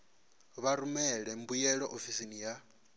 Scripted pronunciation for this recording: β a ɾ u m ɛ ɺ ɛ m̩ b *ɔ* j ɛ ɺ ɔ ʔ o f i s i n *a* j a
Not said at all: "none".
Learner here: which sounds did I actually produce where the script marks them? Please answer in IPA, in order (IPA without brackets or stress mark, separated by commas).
u, i